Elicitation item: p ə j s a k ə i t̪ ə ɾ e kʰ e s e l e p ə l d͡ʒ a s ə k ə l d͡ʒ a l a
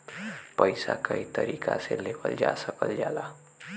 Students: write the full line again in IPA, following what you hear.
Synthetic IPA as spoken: p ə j s a k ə i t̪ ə ɾ i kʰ a s e l e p ə l d͡ʒ a s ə k ə l d͡ʒ a l a